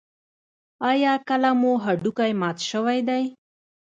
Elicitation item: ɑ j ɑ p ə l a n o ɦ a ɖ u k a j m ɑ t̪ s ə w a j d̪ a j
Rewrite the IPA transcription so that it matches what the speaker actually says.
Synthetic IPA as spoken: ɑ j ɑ k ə l a m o ɦ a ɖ u k a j m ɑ t̪ ʃ ə w a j d̪ a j